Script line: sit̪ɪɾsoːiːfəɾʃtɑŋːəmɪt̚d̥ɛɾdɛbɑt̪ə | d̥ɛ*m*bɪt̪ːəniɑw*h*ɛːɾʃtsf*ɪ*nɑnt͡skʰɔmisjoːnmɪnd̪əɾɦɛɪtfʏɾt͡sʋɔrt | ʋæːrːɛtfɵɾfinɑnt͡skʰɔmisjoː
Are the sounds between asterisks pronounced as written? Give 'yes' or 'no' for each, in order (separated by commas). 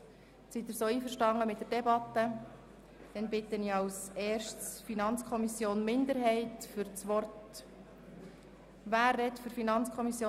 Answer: no, no, no